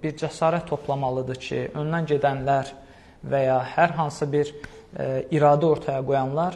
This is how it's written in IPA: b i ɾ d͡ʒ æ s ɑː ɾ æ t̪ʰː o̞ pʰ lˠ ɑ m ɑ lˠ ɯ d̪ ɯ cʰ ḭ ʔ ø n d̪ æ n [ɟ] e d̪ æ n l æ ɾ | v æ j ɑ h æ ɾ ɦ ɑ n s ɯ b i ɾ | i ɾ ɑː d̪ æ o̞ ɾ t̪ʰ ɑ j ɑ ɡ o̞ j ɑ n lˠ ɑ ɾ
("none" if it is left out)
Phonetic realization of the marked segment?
ɟ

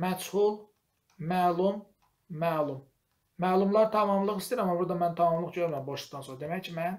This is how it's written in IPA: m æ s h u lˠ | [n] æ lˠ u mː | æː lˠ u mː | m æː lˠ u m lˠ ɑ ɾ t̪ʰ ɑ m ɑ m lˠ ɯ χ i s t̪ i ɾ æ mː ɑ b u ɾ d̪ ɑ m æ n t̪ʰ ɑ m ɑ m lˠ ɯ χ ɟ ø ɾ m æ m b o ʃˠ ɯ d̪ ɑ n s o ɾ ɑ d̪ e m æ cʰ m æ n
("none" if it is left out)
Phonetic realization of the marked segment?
m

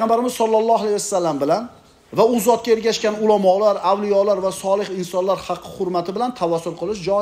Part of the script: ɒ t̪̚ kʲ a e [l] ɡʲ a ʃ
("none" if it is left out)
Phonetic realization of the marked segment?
ɾ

